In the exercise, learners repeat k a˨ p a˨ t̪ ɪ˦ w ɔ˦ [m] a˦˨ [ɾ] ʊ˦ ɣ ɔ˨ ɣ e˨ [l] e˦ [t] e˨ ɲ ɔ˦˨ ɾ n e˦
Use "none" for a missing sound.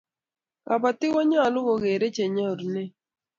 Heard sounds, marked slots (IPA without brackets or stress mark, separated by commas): ɲ, l, ɾ, t͡ʃ